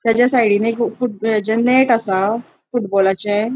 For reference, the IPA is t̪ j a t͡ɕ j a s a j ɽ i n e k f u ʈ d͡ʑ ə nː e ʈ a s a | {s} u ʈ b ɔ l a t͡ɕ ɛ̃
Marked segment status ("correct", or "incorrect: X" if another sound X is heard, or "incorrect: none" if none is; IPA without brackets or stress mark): incorrect: f